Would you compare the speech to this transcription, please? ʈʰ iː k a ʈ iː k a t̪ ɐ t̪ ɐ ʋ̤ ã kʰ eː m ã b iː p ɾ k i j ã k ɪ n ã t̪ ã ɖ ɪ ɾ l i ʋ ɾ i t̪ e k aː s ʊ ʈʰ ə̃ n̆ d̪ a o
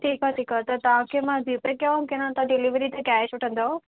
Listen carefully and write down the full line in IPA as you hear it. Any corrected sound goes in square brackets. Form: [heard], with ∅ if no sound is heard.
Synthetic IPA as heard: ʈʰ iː k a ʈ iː k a t̪ ɐ t̪ ɐ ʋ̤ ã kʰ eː m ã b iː p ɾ k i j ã k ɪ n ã t̪ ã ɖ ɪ [∅] l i ʋ ɾ i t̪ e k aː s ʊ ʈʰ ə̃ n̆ d̪ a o